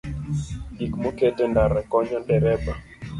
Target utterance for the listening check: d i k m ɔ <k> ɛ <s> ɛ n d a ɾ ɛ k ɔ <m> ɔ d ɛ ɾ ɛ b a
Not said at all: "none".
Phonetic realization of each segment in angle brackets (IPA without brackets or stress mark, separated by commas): k, t, ɲ